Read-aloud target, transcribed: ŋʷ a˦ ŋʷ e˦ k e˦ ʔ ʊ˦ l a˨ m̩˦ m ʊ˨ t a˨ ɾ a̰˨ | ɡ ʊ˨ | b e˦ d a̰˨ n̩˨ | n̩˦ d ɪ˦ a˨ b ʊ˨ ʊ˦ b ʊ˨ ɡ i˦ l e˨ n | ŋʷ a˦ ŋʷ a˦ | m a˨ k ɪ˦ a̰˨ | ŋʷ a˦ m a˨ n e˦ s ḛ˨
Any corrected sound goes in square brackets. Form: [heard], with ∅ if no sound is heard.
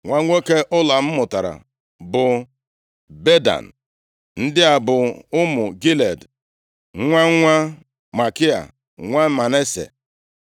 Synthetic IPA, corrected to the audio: ŋʷ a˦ ŋʷ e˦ k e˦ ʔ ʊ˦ l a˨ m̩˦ m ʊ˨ t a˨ ɾ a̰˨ | [b] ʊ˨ | b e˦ d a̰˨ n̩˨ | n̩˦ d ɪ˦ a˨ b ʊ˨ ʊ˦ [m] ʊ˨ ɡ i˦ l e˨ [d] | ŋʷ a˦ ŋʷ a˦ | m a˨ k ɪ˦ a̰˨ | ŋʷ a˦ m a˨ n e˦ s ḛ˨